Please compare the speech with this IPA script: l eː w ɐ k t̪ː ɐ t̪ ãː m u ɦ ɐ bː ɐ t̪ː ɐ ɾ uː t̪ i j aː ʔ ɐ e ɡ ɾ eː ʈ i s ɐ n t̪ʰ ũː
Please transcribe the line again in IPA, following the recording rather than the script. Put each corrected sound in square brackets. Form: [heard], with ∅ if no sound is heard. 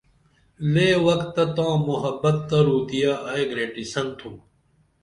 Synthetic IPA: l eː w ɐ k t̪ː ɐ t̪ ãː m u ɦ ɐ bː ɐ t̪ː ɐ ɾ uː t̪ i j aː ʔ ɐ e ɡ ɾ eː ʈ i s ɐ n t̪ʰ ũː